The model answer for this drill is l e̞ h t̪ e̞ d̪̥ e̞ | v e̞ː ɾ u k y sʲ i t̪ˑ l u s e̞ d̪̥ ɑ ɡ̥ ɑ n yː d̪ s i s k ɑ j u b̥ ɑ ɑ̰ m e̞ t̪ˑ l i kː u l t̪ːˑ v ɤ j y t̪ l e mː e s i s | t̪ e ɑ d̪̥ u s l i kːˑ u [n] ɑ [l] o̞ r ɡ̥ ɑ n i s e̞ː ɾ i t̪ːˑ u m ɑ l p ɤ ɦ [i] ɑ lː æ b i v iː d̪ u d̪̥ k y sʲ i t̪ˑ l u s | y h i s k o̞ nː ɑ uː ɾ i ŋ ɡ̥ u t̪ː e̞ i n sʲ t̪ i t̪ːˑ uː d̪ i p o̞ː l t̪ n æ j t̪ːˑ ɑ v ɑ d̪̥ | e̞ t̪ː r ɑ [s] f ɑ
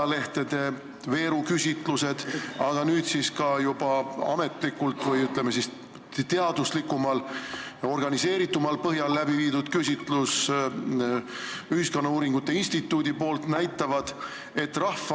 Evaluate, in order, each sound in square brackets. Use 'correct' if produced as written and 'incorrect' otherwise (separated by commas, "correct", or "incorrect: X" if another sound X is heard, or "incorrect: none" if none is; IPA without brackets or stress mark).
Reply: incorrect: m, correct, incorrect: j, incorrect: h